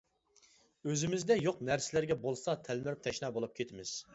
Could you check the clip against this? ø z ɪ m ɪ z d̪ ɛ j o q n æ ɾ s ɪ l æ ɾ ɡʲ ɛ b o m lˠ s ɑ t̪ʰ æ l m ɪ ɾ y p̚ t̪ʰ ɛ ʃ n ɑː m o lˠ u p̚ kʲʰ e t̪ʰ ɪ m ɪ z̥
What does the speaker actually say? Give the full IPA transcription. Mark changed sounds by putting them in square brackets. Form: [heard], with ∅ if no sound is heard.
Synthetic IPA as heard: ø z ɪ m ɪ z d̪ ɛ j o q n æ ɾ s ɪ l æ ɾ ɡʲ ɛ b o [∅] lˠ s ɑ t̪ʰ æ l m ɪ ɾ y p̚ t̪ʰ ɛ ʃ n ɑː [b] o lˠ u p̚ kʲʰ e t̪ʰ ɪ m ɪ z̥